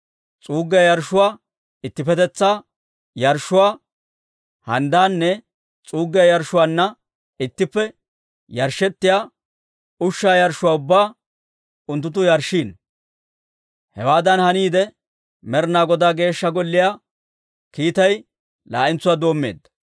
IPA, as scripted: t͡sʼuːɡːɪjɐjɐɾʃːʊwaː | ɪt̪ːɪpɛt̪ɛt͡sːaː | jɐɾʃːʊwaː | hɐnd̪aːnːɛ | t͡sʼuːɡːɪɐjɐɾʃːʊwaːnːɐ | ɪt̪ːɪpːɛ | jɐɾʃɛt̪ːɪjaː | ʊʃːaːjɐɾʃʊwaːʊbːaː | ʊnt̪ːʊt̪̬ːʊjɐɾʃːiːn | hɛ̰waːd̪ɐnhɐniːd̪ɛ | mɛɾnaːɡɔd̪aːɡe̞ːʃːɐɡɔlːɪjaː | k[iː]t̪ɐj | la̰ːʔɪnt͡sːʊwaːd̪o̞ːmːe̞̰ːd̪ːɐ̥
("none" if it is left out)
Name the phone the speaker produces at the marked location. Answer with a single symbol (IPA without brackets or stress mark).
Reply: iː